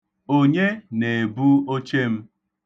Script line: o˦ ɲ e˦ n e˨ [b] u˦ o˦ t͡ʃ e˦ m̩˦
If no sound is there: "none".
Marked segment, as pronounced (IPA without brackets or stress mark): b